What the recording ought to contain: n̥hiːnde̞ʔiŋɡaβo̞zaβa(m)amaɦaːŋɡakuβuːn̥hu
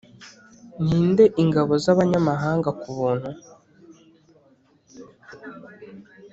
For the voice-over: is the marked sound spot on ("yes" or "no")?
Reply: no